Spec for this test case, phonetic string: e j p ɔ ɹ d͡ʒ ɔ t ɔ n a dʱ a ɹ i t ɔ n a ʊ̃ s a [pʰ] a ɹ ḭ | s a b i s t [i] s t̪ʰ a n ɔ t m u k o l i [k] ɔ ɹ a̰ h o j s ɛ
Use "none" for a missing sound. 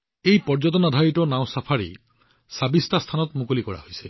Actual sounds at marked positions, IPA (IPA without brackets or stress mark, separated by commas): pʰ, a, k